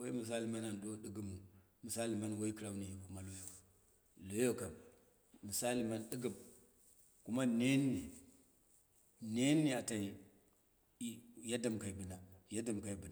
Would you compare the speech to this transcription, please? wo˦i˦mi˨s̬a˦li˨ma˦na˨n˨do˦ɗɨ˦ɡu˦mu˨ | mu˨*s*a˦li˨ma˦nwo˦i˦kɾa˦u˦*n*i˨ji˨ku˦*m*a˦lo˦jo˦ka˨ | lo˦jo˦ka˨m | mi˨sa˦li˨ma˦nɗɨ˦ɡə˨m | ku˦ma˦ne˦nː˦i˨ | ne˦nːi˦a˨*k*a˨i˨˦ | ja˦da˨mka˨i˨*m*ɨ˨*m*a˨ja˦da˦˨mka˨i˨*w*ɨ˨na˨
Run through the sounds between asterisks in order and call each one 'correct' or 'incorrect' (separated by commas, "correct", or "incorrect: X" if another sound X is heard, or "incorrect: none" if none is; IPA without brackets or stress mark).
correct, correct, correct, incorrect: t, incorrect: b, incorrect: n, incorrect: b